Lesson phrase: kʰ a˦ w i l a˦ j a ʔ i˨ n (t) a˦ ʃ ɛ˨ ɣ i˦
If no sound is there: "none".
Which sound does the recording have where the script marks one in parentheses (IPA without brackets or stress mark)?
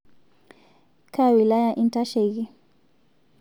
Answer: t